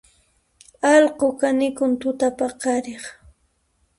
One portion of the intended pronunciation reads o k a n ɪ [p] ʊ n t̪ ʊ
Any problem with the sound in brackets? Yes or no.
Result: yes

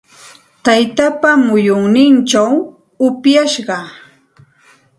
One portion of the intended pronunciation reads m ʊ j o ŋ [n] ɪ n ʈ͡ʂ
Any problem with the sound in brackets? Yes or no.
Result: no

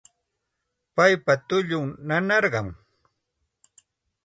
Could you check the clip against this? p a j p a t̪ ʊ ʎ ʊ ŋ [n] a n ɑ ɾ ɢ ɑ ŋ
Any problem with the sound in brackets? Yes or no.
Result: no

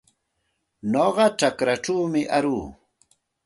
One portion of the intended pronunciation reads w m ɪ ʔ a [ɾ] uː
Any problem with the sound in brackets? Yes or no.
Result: no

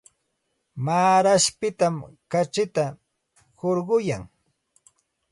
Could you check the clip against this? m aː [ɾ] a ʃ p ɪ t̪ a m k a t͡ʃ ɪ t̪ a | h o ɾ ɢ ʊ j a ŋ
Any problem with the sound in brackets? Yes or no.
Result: no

